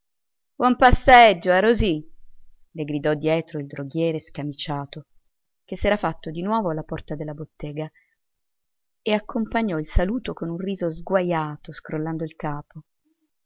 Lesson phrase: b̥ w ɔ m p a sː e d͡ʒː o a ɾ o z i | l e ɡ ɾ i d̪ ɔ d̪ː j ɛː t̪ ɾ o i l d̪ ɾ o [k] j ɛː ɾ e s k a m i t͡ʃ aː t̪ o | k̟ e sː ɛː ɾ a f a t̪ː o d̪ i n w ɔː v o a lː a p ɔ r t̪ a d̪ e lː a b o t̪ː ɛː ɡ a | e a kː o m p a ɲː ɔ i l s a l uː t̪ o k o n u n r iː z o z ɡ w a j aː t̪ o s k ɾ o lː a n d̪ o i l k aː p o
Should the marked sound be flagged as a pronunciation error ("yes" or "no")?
yes